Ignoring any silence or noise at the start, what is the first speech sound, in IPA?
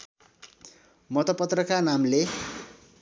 m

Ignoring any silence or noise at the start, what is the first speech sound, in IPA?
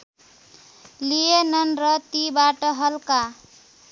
l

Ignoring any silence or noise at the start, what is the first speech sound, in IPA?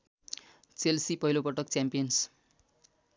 t͡s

